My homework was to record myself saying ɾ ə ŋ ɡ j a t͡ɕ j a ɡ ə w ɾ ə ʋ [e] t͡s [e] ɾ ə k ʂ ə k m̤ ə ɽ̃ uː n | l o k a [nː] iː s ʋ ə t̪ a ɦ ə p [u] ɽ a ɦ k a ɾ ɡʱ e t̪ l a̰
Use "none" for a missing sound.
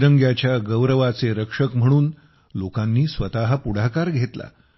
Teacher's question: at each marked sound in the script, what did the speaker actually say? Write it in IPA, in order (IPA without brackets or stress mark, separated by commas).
a, e, nː, u